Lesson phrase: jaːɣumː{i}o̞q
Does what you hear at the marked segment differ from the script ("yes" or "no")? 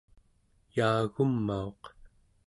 yes